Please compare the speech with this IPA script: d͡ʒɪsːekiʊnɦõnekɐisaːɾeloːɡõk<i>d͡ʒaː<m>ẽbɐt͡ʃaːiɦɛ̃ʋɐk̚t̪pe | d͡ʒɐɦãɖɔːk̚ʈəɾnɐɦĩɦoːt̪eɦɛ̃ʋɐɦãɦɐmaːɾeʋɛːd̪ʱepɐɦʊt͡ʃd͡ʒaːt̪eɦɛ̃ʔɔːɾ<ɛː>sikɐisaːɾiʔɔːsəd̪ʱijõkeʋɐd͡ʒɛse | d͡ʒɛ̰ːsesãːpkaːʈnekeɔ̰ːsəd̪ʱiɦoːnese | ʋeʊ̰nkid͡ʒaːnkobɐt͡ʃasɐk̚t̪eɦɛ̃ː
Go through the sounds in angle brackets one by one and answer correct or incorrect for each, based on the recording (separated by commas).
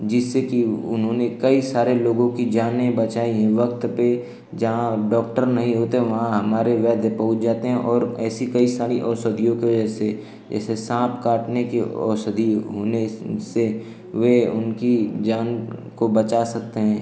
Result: correct, incorrect, correct